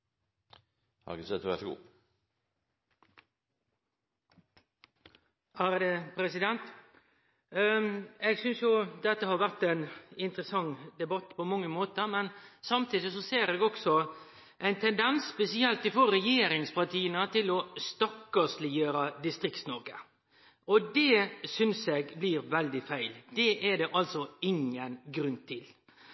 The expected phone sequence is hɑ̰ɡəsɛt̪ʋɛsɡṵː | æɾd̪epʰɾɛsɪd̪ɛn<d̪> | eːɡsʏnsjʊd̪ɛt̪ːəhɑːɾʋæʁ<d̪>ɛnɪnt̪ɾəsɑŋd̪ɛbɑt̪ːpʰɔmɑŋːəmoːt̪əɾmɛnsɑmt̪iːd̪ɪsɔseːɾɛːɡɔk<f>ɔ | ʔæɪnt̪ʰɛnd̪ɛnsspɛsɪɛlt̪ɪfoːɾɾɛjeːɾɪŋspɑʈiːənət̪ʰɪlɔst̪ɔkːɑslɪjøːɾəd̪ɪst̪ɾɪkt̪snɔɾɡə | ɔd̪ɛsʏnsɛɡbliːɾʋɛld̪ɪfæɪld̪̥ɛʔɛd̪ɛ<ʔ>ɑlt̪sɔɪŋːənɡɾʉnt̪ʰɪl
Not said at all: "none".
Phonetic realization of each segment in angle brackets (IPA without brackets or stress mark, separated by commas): t̪, t̪, s, ʔ